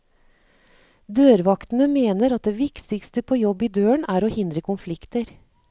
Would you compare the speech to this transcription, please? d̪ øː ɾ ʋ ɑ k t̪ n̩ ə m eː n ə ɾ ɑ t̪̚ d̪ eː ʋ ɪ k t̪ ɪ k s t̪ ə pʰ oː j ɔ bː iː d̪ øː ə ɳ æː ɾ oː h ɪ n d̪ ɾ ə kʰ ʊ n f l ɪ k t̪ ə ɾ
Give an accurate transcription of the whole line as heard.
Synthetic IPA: d̪ øː ɾ ʋ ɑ k t̪ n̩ ə m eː n ə ɾ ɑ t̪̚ d̪ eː ʋ ɪ k t̪ ɪ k s t̪ ə pʰ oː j ɔ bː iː d̪ øː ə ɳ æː ɾ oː h ɪ n d̪ ɾ ə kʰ ʊ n f l ɪ k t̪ ə ɾ